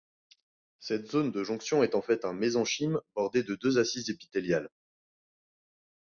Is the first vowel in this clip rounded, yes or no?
no